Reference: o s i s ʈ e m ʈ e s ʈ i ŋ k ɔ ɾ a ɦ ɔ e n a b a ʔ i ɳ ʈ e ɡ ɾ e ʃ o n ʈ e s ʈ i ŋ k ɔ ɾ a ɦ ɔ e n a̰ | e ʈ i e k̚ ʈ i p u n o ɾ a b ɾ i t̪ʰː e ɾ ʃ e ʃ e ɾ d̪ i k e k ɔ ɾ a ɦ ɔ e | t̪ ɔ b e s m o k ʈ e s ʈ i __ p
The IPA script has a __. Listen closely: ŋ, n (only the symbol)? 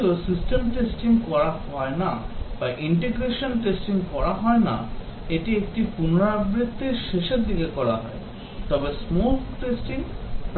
ŋ